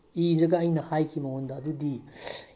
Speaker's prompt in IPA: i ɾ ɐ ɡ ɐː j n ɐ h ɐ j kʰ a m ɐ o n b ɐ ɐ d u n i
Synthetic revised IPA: i ɾ ɐ ɡ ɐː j n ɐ h a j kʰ i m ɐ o n d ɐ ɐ d u d i